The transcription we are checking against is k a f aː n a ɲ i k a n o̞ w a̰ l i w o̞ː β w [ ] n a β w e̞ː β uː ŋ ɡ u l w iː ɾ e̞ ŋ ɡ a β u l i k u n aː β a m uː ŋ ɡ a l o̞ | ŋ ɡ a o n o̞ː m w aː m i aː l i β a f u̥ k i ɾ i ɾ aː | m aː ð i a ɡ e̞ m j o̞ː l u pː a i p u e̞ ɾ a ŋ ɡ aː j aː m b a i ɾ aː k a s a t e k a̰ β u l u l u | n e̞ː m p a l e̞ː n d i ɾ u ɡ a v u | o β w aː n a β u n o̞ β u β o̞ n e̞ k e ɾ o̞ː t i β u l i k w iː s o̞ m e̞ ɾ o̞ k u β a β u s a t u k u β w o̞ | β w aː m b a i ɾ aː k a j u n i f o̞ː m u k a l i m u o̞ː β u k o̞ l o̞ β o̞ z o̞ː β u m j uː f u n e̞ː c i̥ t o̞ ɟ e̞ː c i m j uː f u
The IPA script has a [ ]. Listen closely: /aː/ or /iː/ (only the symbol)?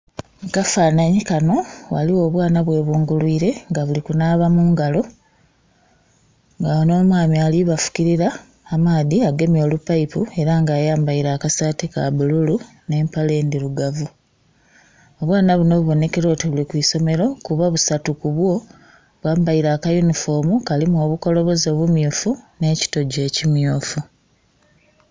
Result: aː